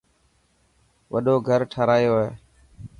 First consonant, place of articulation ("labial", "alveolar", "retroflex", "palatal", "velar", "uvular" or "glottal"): labial